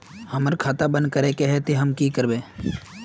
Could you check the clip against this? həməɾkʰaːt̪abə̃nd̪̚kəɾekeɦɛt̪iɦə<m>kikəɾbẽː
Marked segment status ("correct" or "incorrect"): correct